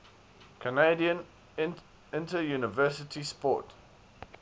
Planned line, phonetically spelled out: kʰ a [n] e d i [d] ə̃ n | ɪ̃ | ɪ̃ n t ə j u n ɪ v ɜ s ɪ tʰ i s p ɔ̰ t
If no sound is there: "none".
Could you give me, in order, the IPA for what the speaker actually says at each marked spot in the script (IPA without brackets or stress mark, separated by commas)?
n, none